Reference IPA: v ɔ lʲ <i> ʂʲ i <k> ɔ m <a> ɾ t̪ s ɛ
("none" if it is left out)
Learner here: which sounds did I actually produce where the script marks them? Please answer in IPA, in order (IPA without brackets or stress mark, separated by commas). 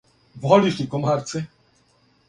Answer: i, k, a